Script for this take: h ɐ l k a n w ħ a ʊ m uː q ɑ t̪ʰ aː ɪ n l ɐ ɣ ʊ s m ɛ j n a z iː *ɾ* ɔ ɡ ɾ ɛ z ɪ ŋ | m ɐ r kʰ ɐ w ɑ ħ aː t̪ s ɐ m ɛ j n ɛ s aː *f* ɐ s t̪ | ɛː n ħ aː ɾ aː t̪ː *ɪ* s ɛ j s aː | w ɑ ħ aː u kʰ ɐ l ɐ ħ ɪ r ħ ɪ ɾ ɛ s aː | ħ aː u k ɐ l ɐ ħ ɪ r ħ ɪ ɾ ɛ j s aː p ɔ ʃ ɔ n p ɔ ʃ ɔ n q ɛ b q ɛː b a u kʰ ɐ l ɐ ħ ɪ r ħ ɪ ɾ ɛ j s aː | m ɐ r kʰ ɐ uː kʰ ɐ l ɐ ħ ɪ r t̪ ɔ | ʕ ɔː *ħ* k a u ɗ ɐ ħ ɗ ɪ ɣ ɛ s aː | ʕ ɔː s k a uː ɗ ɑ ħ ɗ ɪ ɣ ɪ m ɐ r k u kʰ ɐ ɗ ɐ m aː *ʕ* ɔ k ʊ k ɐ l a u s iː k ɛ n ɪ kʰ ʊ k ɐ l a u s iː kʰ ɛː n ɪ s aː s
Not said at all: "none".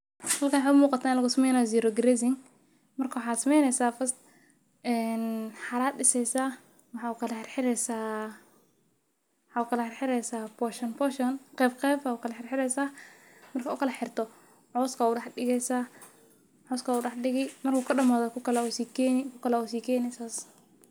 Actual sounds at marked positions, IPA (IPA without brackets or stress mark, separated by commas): ɾ, f, ɪ, s, ð